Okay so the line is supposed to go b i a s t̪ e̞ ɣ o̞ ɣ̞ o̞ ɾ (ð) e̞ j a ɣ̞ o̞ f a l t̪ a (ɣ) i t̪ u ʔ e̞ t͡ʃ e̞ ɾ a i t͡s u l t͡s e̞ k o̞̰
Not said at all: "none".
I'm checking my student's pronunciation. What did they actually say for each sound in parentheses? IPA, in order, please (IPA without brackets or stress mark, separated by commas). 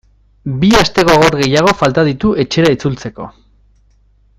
ɣ, ð